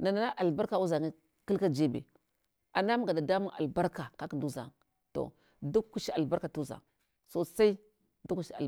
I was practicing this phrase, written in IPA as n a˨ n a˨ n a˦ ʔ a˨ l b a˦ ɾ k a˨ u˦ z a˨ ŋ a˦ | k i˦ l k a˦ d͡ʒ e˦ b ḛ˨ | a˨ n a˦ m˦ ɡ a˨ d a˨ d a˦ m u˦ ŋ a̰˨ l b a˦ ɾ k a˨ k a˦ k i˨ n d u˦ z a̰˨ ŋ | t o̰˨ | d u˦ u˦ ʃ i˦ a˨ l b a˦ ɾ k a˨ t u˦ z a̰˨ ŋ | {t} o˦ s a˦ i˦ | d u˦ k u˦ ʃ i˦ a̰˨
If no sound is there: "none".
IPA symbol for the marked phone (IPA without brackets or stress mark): s